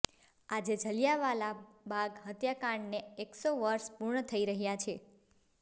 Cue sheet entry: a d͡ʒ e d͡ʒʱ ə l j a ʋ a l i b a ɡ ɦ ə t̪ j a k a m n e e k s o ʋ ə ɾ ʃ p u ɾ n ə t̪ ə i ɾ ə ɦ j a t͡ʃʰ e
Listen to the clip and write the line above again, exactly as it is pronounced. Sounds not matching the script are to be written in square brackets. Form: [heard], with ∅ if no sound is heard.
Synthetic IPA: a d͡ʒ e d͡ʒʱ ə l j a ʋ a l [a] b a ɡ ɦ ə t̪ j a k a [ɳ] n e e k s o ʋ ə ɾ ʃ p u ɾ [ɳ] ə [t̪ʰ] ə i ɾ ə ɦ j a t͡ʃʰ e